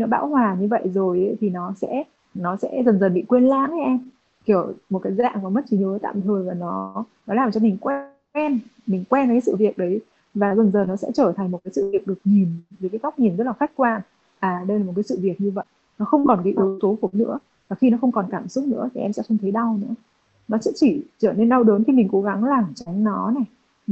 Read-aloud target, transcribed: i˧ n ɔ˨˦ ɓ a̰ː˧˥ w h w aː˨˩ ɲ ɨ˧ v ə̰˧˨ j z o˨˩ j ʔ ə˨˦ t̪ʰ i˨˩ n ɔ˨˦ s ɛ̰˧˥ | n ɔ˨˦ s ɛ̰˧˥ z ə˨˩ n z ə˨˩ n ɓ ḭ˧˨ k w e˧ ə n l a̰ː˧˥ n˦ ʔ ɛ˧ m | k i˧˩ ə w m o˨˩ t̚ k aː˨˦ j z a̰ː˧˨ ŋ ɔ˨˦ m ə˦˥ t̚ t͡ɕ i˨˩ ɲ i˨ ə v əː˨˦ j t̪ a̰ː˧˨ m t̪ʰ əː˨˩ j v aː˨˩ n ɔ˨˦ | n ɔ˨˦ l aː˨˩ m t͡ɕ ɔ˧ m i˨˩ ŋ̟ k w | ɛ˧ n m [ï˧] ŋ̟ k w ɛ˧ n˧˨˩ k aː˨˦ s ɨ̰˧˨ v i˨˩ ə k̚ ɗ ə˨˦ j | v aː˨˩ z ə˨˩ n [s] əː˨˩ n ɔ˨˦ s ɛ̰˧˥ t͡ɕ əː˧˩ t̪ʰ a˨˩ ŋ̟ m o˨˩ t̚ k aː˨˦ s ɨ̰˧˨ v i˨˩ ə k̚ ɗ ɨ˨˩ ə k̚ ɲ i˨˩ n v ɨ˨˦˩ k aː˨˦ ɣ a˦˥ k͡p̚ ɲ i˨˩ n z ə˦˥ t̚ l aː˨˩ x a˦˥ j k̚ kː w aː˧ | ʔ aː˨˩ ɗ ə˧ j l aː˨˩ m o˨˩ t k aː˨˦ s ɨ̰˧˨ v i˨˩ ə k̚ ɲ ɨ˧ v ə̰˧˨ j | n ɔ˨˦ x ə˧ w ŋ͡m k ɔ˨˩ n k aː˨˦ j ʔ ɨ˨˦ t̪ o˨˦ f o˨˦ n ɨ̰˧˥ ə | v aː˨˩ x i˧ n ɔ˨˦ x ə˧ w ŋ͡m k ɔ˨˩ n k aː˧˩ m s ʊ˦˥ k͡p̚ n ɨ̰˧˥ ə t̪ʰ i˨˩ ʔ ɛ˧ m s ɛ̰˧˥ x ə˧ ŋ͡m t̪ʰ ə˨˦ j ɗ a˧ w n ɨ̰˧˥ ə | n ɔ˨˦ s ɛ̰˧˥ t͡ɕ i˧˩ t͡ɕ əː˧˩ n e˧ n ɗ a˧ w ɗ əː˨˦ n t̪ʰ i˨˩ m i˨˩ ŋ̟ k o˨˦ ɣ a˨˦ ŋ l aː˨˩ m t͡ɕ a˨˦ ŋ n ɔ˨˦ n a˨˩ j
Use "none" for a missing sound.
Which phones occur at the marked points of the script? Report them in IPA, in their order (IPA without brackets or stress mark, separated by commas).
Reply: ï˨˩, z